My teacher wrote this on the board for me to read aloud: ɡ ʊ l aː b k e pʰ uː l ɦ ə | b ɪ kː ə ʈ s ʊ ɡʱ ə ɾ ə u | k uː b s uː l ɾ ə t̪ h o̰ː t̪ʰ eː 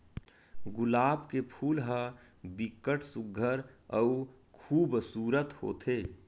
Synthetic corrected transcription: ɡ ʊ l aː b k e pʰ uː l ɦ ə | b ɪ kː ə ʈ s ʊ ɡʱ ə ɾ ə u | kʰ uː b s uː ɾ ə t̪ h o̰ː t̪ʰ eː